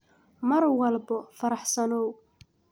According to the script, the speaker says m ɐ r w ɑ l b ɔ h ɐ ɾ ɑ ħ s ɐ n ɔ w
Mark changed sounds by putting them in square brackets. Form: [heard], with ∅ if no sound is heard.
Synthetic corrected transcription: m ɐ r w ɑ l b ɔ [f] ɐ ɾ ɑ ħ s ɐ n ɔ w